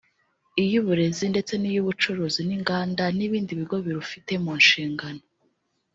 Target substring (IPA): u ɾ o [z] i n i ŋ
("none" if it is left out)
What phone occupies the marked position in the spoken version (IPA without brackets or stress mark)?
z